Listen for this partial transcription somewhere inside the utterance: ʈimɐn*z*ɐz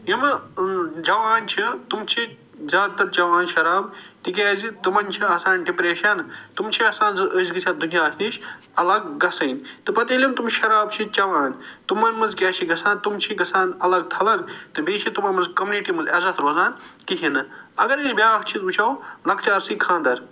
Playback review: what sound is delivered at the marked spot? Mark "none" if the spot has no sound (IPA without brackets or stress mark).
z